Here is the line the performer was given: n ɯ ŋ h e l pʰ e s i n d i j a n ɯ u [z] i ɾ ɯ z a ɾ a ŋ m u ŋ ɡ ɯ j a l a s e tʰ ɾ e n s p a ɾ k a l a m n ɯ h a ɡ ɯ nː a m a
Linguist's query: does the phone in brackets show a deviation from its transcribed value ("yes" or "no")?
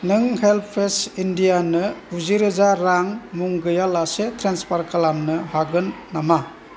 no